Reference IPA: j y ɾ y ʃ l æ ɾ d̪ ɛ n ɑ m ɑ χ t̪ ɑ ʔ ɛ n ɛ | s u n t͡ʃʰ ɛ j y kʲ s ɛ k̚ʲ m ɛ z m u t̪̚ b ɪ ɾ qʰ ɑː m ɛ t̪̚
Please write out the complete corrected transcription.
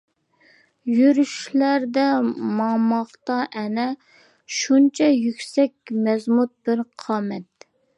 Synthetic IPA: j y ɾ y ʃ l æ ɾ d̪ ɛ m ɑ m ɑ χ t̪ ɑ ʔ ɛ n ɛ | ʃ u n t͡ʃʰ ɛ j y kʲ s ɛ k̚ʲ m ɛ z m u t̪̚ b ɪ ɾ qʰ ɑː m ɛ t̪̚